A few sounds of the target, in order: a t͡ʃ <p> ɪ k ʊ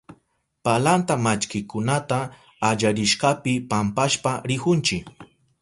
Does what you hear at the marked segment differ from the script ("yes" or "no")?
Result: yes